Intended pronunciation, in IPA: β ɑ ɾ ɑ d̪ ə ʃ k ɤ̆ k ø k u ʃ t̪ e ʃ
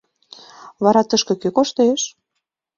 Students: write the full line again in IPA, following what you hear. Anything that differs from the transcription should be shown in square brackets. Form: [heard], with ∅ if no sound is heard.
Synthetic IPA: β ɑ ɾ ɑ [t̪] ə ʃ k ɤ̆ k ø k [o] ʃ t̪ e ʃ